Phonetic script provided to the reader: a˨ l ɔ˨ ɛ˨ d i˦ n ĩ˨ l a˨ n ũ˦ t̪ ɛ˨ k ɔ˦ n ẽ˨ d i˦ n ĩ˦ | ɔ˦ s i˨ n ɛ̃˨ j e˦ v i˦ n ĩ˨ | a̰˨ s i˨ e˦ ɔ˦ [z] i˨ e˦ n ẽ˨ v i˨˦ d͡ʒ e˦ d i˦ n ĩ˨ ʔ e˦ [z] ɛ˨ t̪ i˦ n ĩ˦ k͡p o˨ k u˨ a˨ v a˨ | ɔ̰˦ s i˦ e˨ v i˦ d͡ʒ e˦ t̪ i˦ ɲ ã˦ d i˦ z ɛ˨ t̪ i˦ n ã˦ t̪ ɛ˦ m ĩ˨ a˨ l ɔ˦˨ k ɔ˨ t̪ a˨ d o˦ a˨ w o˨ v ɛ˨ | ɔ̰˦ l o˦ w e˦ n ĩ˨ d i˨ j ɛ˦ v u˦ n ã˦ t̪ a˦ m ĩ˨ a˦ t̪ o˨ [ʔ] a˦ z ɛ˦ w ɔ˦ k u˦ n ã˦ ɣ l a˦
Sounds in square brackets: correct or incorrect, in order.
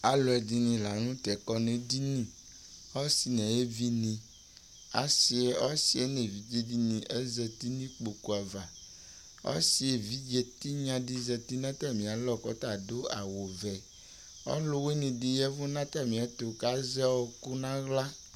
incorrect: s, correct, incorrect: k

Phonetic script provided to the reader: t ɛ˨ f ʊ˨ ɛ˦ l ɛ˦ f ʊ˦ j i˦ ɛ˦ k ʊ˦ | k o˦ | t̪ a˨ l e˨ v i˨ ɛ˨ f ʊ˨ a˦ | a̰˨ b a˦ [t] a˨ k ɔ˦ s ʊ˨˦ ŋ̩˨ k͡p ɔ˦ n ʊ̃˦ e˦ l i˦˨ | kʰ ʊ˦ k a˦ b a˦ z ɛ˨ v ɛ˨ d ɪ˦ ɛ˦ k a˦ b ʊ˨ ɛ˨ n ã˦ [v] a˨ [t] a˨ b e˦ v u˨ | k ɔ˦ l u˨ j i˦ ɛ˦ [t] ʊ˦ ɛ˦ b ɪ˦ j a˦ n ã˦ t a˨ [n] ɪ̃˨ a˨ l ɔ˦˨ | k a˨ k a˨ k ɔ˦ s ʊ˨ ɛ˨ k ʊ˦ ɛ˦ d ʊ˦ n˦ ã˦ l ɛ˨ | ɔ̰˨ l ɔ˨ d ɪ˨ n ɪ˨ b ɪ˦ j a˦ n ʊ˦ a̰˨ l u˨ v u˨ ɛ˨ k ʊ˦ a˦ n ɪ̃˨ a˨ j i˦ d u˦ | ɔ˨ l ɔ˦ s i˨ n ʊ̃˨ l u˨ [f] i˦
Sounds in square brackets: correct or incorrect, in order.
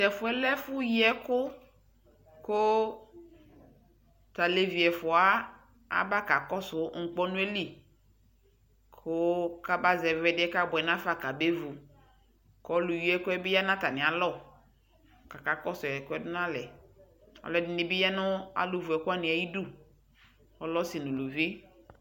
incorrect: k, incorrect: f, incorrect: k, incorrect: k, correct, incorrect: v

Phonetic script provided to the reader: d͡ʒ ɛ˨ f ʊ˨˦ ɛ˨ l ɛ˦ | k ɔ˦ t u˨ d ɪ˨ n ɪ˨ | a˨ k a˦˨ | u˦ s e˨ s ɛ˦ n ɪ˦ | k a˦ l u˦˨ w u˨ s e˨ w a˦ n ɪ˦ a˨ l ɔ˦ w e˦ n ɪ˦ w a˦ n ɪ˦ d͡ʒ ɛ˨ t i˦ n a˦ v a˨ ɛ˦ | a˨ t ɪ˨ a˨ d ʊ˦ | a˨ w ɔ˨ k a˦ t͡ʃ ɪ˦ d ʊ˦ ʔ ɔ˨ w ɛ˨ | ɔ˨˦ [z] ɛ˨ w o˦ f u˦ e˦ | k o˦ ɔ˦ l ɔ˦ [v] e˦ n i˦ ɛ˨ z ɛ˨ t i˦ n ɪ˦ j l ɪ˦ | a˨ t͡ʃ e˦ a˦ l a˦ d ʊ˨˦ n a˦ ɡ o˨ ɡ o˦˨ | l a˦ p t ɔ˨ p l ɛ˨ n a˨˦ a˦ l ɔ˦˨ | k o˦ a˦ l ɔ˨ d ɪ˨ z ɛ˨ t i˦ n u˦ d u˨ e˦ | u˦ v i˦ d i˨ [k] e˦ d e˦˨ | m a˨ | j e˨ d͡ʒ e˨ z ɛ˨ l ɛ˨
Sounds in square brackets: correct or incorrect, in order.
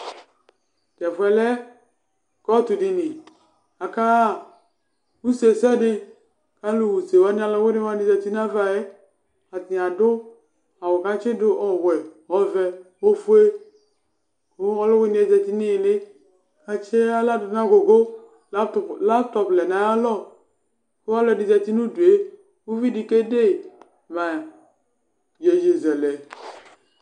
incorrect: v, incorrect: w, correct

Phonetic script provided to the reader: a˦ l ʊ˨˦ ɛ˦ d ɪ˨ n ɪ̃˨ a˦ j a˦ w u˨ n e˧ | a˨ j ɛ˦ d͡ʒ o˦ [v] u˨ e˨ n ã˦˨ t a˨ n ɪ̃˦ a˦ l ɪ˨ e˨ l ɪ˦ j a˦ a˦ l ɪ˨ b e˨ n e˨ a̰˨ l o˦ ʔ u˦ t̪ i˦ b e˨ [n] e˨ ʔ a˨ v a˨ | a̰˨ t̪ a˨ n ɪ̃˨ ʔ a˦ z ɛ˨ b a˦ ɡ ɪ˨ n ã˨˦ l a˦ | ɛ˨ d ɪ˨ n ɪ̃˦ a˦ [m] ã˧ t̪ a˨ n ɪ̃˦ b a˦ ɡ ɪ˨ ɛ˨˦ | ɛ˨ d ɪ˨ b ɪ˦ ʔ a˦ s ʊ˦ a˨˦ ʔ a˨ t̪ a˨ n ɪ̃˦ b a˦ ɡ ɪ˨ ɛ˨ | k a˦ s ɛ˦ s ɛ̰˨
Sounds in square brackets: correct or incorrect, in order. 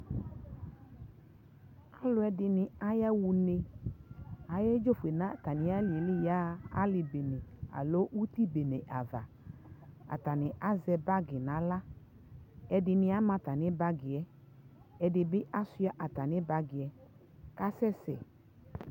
incorrect: f, correct, correct

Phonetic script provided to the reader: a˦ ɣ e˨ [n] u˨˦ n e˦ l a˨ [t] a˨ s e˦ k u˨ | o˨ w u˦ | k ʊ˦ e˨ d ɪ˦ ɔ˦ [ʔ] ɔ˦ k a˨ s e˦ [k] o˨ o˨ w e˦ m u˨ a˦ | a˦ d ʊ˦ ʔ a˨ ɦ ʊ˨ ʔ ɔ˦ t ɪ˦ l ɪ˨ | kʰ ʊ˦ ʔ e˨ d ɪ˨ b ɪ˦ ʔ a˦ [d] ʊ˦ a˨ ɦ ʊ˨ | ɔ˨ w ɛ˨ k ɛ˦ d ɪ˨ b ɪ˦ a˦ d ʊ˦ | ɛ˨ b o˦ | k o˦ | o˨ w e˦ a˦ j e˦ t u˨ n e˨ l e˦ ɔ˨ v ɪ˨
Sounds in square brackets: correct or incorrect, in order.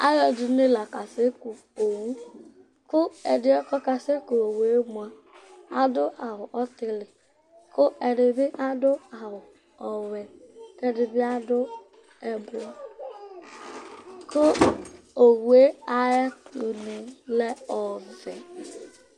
incorrect: d, incorrect: k, incorrect: k, correct, correct

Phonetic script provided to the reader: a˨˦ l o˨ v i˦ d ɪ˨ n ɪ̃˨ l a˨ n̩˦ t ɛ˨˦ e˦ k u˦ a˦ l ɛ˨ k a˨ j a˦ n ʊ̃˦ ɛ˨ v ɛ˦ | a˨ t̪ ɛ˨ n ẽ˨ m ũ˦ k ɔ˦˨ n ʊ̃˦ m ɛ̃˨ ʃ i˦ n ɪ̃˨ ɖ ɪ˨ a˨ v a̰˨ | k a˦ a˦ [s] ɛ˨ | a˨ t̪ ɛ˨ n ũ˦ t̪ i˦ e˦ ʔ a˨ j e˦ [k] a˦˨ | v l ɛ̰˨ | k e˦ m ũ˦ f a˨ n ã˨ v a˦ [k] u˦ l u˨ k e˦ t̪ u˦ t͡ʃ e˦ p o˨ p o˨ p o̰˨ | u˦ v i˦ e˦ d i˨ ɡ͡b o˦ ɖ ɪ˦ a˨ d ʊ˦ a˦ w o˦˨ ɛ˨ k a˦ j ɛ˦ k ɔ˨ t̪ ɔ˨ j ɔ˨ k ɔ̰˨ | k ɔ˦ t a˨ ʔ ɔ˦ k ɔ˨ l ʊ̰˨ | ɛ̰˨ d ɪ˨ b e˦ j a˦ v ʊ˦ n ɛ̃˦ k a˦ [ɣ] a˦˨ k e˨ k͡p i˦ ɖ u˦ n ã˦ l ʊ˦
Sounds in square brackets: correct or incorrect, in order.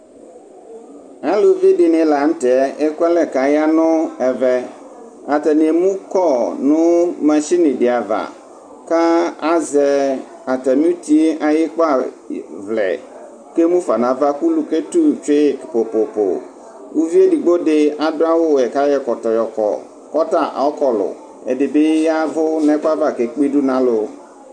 incorrect: z, incorrect: k͡p, correct, incorrect: v

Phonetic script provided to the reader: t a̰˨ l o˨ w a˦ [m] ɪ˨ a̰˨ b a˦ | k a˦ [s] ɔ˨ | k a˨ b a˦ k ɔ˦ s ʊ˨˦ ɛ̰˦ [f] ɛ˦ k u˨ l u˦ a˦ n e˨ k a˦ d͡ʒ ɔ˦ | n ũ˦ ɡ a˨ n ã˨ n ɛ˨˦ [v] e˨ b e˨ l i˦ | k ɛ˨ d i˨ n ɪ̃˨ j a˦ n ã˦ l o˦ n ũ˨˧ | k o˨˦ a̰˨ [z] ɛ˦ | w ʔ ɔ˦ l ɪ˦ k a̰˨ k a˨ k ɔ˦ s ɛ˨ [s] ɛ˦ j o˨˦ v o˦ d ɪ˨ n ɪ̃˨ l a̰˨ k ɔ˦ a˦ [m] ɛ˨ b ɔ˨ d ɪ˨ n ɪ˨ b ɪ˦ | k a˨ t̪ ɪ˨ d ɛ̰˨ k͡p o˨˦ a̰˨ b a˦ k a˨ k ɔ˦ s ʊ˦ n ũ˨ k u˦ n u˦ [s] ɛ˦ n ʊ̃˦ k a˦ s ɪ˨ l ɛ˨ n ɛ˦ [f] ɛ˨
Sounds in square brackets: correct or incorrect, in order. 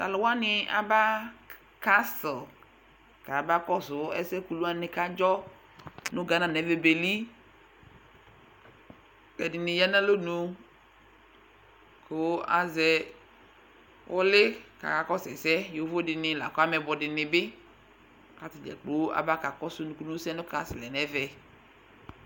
incorrect: n, correct, incorrect: s, correct, correct, correct, correct, correct, incorrect: v

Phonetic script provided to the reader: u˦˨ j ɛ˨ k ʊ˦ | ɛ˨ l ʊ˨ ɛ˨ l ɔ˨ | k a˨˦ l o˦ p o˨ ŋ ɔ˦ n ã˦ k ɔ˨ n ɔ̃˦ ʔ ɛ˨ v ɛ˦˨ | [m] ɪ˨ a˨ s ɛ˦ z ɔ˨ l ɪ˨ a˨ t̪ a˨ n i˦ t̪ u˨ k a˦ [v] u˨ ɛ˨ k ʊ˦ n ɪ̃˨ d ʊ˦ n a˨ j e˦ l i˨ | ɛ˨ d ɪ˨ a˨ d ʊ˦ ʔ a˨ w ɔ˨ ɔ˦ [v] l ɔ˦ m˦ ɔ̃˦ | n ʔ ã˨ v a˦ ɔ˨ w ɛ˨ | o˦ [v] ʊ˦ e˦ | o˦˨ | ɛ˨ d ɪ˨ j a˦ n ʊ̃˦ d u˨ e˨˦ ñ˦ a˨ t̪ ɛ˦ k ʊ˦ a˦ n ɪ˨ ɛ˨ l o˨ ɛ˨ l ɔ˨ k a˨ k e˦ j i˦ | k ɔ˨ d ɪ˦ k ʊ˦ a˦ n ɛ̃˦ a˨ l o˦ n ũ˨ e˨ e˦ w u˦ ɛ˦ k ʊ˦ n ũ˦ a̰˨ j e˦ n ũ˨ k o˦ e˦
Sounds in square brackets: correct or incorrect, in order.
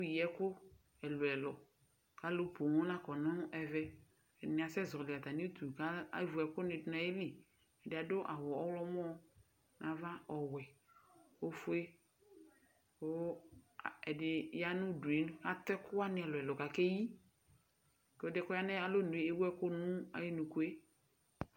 incorrect: n, correct, incorrect: w, incorrect: f

